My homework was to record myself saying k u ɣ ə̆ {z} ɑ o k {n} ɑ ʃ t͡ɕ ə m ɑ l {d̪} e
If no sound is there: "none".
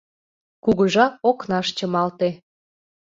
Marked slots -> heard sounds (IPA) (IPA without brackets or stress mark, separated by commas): ʒ, n, t̪